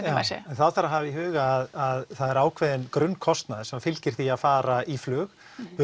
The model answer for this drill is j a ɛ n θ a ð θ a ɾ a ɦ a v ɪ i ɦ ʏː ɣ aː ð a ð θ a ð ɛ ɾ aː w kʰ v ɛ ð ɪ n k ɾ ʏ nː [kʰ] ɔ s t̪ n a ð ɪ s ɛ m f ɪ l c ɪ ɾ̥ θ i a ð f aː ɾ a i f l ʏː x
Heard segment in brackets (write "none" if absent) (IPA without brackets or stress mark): kʰ